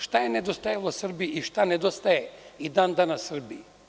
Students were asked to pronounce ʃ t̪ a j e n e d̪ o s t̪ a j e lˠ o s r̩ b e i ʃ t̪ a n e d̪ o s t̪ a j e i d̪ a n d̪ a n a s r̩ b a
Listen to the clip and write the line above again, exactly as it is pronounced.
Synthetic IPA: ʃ t̪ a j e n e d̪ o s t̪ a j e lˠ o s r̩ b i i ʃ t̪ a n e d̪ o s t̪ a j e i d̪ a n d̪ a n a s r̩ b i